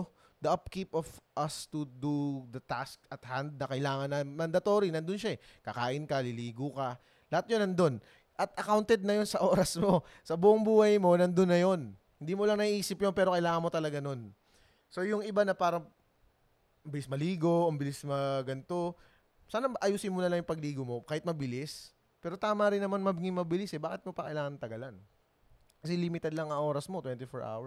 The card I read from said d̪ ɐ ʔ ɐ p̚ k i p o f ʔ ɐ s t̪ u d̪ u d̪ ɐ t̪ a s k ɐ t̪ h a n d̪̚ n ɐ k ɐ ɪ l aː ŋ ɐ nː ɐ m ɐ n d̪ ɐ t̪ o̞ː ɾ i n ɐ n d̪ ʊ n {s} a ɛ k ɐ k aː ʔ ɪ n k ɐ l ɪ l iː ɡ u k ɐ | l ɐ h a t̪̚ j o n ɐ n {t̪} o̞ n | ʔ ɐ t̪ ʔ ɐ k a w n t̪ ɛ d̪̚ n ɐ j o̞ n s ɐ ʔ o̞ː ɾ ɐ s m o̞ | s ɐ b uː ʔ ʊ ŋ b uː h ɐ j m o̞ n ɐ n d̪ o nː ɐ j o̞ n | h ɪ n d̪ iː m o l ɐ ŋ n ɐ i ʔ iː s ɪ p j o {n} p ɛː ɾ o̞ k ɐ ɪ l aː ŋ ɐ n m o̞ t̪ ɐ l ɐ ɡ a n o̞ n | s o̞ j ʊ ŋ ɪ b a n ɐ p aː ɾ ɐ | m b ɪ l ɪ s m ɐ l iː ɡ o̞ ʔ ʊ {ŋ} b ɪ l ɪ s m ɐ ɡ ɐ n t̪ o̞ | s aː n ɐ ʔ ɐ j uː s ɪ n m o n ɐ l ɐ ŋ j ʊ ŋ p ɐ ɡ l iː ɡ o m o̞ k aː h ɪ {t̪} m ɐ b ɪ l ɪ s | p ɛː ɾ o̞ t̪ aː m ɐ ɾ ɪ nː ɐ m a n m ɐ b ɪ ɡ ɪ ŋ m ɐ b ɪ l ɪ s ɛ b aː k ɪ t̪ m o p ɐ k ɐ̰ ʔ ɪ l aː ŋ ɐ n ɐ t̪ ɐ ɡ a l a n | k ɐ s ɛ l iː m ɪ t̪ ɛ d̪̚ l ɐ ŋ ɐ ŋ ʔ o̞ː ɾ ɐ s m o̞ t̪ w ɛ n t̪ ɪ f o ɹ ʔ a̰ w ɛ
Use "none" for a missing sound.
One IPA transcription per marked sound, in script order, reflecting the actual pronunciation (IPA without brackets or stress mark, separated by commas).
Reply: ʃ, d̪, n, m, t̪